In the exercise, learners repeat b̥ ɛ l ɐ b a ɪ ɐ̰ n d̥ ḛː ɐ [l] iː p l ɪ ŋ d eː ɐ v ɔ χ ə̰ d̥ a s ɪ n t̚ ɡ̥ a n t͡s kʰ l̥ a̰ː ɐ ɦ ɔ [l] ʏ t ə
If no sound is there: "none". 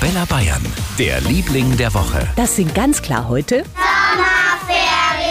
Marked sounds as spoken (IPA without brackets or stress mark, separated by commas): l, none